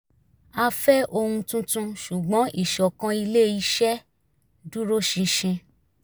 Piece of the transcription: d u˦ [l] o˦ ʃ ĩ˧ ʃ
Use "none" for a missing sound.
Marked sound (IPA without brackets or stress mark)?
ɾ